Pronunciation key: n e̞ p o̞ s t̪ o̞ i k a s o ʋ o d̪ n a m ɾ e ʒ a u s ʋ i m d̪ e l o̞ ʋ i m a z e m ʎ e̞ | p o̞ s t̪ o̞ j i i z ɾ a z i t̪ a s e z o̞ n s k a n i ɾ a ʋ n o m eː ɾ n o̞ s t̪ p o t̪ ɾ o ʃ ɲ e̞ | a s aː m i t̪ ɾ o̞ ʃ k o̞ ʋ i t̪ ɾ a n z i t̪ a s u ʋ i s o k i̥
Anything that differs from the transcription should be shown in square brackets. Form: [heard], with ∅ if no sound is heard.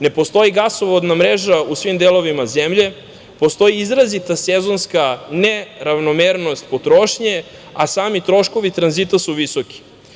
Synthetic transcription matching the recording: n e̞ p o̞ s t̪ o̞ i [ɡ] a s o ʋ o d̪ n a m ɾ e ʒ a u s ʋ i m d̪ e l o̞ ʋ i m a z e m ʎ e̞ | p o̞ s t̪ o̞ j i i z ɾ a z i t̪ a s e z o̞ n s k a n [e] ɾ a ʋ n o m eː ɾ n o̞ s t̪ p o t̪ ɾ o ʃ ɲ e̞ | a s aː m i t̪ ɾ o̞ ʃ k o̞ ʋ i t̪ ɾ a n z i t̪ a s u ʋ i s o k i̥